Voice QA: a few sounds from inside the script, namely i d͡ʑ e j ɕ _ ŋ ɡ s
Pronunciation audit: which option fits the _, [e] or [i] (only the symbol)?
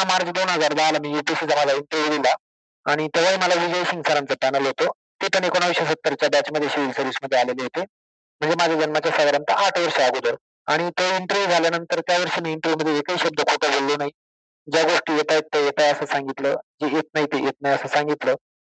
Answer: i